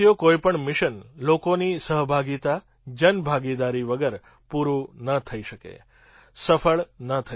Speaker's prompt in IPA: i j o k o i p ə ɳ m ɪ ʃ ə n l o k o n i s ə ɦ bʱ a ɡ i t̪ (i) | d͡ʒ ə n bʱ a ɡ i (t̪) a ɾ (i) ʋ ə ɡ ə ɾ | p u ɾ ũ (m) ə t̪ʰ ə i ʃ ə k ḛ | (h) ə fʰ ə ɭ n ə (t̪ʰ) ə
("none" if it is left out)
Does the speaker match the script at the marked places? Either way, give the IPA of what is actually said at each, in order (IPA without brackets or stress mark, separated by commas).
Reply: a, d̪, i, n, s, t̪ʰ